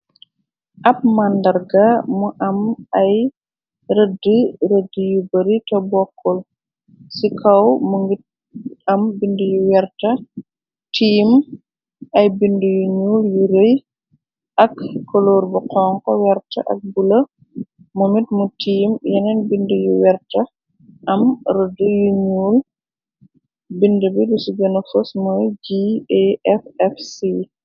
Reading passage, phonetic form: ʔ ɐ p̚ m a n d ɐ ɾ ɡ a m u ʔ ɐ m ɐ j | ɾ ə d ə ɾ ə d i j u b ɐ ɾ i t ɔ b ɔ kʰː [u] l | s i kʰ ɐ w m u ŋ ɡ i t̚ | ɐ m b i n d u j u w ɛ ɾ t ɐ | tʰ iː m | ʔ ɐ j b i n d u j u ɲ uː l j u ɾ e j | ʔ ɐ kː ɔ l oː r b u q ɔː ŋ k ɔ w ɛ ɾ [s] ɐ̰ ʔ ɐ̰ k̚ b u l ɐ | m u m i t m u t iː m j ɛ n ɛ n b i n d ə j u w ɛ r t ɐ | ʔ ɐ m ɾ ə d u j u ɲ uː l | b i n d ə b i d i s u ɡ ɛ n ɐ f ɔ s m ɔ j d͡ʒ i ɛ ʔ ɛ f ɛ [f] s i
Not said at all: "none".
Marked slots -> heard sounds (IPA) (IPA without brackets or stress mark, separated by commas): ɔ, t, f